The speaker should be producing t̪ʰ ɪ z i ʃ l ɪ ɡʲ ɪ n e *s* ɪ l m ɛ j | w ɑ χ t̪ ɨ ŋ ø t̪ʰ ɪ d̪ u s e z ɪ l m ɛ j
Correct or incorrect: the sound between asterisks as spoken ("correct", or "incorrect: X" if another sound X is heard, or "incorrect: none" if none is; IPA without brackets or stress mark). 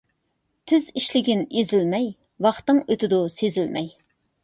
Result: incorrect: z